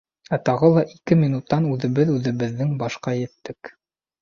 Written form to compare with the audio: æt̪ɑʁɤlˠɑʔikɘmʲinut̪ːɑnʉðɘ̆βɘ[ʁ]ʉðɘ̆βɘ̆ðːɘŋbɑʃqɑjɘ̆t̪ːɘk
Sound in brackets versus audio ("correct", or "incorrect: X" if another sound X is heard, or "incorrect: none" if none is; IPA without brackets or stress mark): incorrect: ð